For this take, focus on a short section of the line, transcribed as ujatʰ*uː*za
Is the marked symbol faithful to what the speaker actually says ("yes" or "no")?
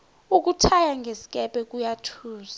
yes